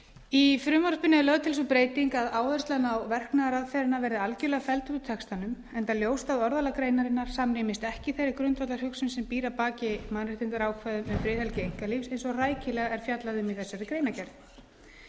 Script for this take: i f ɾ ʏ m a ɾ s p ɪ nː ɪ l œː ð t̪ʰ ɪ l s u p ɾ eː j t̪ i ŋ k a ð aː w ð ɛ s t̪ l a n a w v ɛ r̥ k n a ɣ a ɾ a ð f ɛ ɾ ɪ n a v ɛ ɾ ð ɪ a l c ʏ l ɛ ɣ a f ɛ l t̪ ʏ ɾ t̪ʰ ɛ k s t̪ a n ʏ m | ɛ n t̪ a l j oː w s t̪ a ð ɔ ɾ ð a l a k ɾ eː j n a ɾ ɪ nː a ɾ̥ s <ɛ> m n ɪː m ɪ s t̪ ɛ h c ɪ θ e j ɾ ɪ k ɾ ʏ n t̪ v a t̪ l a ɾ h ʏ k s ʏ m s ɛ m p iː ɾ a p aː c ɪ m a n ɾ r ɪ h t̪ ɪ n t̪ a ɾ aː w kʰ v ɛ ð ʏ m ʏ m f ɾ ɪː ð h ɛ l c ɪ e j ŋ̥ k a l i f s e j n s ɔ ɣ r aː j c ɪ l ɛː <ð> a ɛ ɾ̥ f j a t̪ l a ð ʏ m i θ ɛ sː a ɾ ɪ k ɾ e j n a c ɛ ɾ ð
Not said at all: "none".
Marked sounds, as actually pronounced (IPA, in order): a, ɣ

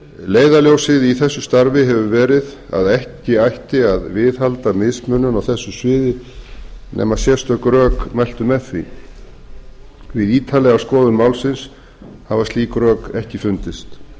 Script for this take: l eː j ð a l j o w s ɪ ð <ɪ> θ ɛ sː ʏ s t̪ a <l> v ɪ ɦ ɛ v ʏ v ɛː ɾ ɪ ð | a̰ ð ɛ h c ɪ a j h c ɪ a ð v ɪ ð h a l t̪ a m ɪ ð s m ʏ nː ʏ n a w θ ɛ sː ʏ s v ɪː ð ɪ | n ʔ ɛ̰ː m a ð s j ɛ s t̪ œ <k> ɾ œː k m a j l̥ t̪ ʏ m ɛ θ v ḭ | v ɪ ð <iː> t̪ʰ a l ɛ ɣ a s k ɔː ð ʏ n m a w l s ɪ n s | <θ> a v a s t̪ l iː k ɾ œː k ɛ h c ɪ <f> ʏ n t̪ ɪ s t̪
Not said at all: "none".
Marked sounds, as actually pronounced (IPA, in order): i, ɾ, k, iː, h, f

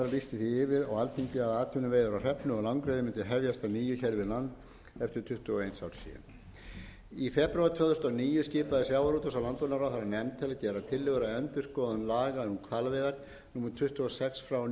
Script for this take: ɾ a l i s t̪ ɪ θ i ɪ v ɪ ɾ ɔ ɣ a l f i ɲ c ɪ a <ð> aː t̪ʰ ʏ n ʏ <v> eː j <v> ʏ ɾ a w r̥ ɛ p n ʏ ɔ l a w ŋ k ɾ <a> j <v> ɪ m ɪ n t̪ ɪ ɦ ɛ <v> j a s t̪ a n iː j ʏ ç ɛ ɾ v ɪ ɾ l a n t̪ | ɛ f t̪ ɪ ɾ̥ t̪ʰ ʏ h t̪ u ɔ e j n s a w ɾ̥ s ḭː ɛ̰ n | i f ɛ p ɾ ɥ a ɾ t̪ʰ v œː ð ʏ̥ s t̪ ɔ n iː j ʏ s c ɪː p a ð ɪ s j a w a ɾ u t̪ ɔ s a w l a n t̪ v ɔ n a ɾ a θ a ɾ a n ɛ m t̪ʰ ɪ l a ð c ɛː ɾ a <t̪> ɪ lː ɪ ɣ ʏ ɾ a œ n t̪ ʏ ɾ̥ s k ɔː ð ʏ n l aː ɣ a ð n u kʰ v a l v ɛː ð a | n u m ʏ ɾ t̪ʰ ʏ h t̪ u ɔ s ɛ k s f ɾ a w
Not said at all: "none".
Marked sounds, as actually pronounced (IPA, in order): ð, v, ð, e, ð, v, t̪ʰ

